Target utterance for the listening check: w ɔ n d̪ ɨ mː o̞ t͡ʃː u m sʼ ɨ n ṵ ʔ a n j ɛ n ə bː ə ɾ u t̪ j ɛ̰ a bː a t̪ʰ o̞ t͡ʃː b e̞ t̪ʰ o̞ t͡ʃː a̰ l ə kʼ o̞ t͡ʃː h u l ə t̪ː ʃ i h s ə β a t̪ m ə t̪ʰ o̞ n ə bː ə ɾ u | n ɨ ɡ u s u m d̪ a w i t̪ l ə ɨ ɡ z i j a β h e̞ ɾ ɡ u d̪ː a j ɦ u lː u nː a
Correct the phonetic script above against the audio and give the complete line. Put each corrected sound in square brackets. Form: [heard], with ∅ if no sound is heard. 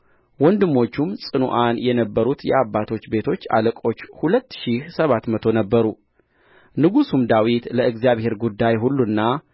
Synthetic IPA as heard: w ɔ n d̪ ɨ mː o̞ t͡ʃː u m sʼ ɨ n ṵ ʔ a n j ɛ n ə bː ə ɾ u t̪ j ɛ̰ a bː a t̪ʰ o̞ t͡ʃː b e̞ t̪ʰ o̞ t͡ʃː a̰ l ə kʼ o̞ t͡ʃː h u l ə t̪ː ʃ i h s ə β a t̪ m ə t̪ʰ o̞ n ə bː ə ɾ u | n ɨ ɡ u s u m d̪ a w i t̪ l ə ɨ ɡ z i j a β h e̞ ɾ ɡ u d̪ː a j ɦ u lː u nː a

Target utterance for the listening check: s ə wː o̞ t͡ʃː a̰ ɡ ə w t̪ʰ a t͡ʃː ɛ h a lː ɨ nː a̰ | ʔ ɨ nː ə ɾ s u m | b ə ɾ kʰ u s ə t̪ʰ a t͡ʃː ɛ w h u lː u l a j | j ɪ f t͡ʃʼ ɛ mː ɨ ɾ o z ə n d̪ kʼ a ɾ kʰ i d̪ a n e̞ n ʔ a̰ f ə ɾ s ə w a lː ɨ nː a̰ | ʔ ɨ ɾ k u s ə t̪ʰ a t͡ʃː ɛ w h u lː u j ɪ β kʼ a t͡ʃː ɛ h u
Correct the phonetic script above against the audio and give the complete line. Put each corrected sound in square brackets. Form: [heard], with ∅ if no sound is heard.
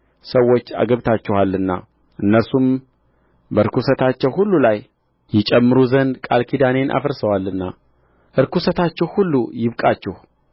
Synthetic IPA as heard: s ə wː o̞ t͡ʃː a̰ ɡ ə [β] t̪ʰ a t͡ʃː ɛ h a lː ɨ nː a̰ | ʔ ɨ nː ə ɾ s u m | b ə ɾ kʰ u s ə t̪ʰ a t͡ʃː ɛ w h u lː u l a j | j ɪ [∅] t͡ʃʼ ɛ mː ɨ ɾ [u] z ə n d̪ kʼ a [l] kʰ i d̪ a n e̞ n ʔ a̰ f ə ɾ s ə w a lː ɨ nː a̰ | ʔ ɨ ɾ k u s ə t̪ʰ a t͡ʃː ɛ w h u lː u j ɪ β kʼ a t͡ʃː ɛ h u

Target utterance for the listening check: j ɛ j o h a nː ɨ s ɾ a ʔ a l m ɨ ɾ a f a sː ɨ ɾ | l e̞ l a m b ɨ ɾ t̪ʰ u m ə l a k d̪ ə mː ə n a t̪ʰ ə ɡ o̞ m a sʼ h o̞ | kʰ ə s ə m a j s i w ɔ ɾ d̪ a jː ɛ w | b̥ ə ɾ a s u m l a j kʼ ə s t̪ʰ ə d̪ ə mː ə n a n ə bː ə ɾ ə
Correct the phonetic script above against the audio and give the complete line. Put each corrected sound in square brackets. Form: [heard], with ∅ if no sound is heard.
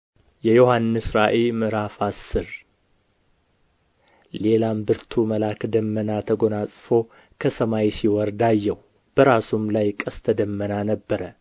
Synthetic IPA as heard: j ɛ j o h a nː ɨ s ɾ a ʔ [e] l m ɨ ɾ a f a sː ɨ ɾ | l e̞ l a m b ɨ ɾ t̪ʰ u m ə l a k d̪ ə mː ə n a t̪ʰ ə ɡ o̞ [n] a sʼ [f] o̞ | kʰ ə s ə m a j s i w ɔ ɾ d̪ a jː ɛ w | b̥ ə ɾ a s u m l a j kʼ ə s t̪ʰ ə d̪ ə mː ə n a n ə bː ə ɾ ə

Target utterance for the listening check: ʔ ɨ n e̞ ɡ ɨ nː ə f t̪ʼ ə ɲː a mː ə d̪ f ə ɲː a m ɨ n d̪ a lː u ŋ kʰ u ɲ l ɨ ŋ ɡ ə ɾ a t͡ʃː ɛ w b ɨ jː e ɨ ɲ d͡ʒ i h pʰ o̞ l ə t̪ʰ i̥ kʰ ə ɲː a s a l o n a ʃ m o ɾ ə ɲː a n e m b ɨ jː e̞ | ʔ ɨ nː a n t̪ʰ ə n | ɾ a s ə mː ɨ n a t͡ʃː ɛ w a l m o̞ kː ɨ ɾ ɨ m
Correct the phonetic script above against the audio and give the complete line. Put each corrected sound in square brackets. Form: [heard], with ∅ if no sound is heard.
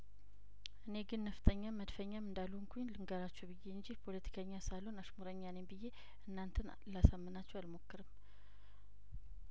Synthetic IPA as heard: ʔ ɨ n e̞ ɡ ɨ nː ə f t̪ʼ ə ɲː a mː ə d̪ f ə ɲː a m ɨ n d̪ a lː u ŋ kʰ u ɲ l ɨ ŋ ɡ ə ɾ a t͡ʃː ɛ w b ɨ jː e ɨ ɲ d͡ʒ i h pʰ o̞ l ə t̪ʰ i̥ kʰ ə ɲː a s a l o n a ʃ m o ɾ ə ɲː a n e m b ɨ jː e̞ | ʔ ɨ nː a n t̪ʰ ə n | [l] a s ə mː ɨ n a t͡ʃː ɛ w a l m o̞ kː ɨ ɾ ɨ m

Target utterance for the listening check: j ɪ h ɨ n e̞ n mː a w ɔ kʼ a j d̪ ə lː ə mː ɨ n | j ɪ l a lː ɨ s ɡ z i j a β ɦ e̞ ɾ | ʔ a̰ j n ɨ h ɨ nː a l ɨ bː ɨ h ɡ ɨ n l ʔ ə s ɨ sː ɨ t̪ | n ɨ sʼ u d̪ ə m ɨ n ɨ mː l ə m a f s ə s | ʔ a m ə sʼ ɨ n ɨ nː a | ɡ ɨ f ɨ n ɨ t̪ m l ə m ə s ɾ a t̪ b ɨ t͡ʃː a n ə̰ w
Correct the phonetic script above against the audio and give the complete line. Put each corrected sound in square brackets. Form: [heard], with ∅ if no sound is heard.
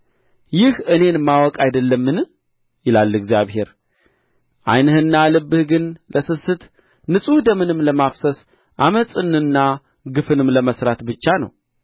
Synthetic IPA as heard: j ɪ h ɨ n e̞ n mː a w ɔ kʼ a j d̪ ə lː ə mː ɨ n | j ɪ l a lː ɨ [∅] ɡ z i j a β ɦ e̞ ɾ | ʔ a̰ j n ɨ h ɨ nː a l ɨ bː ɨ h ɡ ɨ n l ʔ ə s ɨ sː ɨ t̪ | n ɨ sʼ u d̪ ə m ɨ n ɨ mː l ə m a f s ə s | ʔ a m ə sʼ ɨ n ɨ nː a | ɡ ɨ f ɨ n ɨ [∅] m l ə m ə s ɾ a t̪ b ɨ t͡ʃː a n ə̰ w

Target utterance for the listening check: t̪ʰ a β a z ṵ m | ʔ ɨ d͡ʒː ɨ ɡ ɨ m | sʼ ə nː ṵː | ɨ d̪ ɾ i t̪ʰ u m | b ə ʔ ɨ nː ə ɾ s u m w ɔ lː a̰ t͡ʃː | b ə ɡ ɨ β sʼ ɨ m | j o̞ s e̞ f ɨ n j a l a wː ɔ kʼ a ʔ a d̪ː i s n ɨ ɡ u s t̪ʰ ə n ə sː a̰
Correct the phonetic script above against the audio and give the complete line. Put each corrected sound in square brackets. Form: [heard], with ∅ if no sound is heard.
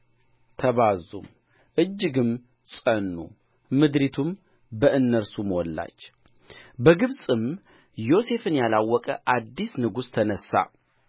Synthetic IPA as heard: t̪ʰ [ə] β a z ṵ m | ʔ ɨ d͡ʒː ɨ ɡ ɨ m | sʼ ə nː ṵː | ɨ d̪ ɾ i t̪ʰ u m | b ə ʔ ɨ nː ə ɾ s u m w ɔ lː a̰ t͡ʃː | b ə ɡ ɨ β sʼ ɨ m | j o̞ s e̞ f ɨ n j a l a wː ɔ kʼ [ə] ʔ a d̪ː i s n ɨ ɡ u s t̪ʰ ə n ə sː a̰

